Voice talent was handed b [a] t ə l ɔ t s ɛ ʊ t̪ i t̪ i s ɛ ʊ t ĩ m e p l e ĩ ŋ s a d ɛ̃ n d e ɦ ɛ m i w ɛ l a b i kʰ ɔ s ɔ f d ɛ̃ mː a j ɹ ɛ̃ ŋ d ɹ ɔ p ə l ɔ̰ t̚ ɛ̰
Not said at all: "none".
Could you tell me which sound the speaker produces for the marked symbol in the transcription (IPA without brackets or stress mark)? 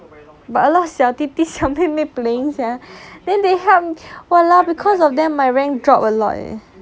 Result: a